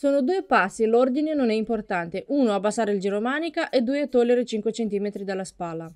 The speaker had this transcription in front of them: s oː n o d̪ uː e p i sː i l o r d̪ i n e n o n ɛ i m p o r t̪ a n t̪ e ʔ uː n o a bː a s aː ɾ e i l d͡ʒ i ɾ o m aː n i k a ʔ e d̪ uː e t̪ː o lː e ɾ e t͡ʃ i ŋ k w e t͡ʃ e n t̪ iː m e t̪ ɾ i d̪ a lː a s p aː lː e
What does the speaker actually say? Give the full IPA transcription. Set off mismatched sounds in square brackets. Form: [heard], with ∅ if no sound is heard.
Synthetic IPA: s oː n o d̪ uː e p [a] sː i l o r d̪ i n e n o n ɛ i m p o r t̪ a n t̪ e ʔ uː n o a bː a s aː ɾ e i l d͡ʒ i ɾ o m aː n i k a ʔ e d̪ uː e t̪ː o lː e ɾ e t͡ʃ i ŋ k w e t͡ʃ e n t̪ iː m e t̪ ɾ i d̪ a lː a s p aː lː [a]